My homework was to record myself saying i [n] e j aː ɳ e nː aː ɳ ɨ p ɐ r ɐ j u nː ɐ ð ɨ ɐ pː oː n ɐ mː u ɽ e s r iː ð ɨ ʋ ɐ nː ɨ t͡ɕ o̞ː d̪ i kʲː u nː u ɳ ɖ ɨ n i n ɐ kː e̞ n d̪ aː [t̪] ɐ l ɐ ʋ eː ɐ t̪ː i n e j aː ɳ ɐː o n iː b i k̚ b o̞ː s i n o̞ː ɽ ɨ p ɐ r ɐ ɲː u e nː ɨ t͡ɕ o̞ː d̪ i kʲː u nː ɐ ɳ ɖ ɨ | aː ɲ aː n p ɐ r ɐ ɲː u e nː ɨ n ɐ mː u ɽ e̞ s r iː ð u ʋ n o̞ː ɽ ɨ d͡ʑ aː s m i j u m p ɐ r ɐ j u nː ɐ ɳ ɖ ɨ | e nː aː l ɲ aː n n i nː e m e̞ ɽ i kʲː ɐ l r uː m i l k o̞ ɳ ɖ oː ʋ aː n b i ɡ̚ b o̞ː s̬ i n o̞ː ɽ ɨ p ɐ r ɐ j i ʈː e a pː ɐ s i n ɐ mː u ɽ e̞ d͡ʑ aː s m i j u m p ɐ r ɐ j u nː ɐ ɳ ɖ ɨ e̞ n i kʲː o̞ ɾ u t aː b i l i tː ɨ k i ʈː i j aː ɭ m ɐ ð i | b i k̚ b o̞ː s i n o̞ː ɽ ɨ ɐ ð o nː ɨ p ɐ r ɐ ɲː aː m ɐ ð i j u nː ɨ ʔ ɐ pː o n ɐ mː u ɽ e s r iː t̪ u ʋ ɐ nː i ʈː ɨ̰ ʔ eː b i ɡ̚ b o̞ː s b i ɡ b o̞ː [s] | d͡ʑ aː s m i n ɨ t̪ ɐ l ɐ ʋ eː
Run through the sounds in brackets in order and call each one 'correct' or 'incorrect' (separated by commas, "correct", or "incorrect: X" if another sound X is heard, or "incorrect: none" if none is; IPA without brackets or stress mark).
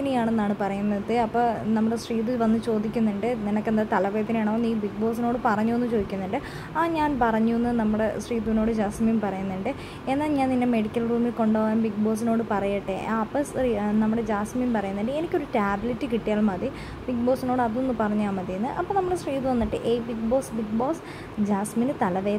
correct, correct, correct